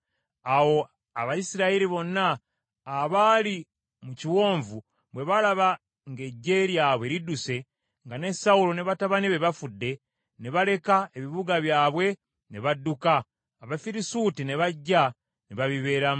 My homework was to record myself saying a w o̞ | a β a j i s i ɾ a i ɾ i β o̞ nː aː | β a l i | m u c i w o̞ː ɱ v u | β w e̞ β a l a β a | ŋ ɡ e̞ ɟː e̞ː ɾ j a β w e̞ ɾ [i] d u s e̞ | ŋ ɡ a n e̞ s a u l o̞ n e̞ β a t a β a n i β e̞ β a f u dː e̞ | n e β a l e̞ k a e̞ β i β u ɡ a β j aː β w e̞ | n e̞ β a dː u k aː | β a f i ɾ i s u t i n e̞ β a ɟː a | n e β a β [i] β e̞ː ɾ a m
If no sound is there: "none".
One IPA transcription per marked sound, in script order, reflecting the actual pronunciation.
i, i

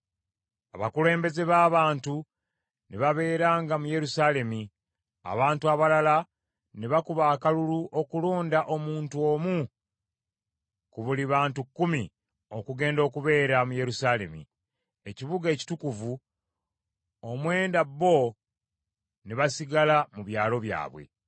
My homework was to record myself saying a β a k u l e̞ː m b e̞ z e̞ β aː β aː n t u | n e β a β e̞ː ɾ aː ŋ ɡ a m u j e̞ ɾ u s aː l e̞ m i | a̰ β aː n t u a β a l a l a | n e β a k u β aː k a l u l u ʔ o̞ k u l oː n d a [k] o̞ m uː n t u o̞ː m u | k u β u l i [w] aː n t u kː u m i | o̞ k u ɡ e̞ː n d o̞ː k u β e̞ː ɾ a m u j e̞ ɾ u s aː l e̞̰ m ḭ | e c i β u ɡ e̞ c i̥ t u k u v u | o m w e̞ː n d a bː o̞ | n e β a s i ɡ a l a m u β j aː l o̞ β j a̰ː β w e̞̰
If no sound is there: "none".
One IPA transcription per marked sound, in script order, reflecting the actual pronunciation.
ʔ, β

